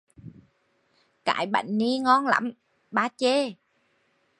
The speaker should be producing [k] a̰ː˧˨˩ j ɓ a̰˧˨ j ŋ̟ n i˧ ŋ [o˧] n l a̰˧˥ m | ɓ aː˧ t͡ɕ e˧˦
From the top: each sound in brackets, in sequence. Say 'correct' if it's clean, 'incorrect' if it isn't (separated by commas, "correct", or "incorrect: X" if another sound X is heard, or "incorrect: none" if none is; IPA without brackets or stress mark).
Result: correct, incorrect: ɔ˧